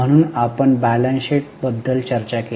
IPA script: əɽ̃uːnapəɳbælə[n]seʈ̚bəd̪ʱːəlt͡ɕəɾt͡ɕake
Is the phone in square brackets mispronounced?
no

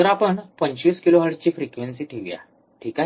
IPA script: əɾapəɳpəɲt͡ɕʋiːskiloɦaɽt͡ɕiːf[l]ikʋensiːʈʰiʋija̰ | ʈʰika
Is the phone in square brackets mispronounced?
yes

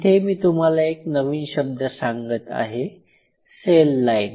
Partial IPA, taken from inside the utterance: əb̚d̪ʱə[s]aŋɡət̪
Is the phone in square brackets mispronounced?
no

